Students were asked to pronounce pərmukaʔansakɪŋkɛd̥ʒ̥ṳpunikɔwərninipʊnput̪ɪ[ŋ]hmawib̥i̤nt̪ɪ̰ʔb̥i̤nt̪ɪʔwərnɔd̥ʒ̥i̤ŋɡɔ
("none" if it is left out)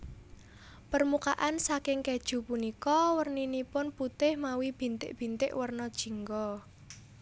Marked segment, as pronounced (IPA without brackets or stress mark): none